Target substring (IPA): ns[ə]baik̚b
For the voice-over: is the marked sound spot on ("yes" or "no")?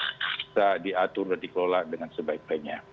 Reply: yes